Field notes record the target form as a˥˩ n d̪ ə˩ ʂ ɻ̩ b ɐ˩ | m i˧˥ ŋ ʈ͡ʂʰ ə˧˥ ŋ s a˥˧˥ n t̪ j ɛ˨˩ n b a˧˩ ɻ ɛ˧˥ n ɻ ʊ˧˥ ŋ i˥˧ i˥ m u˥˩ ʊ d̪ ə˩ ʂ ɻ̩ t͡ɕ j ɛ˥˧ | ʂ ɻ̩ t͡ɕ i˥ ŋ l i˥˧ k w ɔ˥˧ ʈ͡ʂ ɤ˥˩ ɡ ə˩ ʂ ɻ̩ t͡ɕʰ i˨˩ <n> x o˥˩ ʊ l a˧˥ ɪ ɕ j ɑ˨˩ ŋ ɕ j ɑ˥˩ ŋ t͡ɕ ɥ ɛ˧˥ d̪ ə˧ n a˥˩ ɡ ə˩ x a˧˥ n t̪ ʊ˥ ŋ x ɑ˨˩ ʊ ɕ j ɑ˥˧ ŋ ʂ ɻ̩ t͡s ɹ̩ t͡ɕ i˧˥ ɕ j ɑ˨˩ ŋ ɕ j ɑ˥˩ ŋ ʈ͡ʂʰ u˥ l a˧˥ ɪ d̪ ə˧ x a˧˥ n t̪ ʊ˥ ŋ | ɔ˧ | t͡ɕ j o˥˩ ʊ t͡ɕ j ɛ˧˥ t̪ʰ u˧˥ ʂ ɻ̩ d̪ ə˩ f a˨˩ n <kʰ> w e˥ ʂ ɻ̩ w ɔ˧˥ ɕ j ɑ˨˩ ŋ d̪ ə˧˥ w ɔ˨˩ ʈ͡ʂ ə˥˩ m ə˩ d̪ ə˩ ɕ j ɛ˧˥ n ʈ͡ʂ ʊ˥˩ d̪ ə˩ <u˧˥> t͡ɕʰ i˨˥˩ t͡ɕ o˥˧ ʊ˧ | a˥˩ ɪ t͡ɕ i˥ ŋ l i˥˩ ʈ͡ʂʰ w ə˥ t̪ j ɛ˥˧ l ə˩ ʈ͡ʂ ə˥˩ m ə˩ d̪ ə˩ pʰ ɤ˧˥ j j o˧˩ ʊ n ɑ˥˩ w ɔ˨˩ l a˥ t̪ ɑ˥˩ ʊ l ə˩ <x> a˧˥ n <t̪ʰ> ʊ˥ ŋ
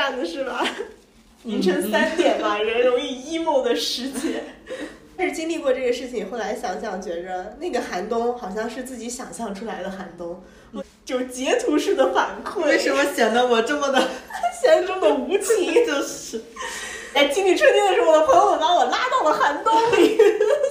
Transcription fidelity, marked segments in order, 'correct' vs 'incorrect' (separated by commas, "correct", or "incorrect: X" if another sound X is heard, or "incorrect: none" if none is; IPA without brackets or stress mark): incorrect: ŋ, correct, correct, correct, incorrect: t̪